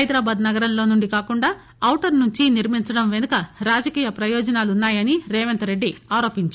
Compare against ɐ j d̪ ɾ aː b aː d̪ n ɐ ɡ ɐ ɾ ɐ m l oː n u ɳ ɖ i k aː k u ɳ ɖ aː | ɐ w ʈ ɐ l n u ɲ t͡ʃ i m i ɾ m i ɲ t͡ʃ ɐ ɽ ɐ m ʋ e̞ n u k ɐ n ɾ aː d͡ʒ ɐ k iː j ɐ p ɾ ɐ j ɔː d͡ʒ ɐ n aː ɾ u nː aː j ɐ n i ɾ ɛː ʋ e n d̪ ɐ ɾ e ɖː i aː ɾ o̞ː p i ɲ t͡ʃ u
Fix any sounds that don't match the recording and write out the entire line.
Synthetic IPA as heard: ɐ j d̪ ɾ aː b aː d̪ n ɐ ɡ ɐ ɾ ɐ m l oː n u ɳ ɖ i k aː k u ɳ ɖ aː | ɐ w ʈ ɐ ɾ n u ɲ t͡ʃ i n i ɾ m i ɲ t͡ʃ ɐ ɽ ɐ m ʋ e̞ n u k ɐ ɾ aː d͡ʒ ɐ k iː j ɐ p ɾ ɐ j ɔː d͡ʒ ɐ n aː l u nː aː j ɐ n i ɾ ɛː ʋ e n t̪ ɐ ɾ e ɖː i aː ɾ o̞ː p i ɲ t͡ʃ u